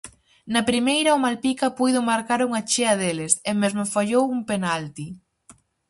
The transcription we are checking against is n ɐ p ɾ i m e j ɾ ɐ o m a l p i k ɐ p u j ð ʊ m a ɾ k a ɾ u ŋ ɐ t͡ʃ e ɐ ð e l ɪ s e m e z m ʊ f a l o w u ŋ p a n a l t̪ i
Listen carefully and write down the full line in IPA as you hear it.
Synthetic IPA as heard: n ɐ p ɾ i m e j ɾ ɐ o m a l p i k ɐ p u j ð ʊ m a ɾ k a ɾ u ŋ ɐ t͡ʃ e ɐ ð e l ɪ s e m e z m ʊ f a ʎ o w u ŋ p e n a l t̪ i